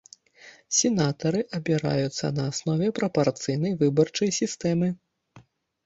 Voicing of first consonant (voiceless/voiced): voiceless